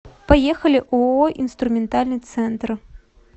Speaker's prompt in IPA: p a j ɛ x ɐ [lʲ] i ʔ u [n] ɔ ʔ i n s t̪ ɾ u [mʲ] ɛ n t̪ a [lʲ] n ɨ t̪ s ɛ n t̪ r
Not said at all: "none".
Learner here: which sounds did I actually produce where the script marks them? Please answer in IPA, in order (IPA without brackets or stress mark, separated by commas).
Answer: lʲ, none, mʲ, lʲ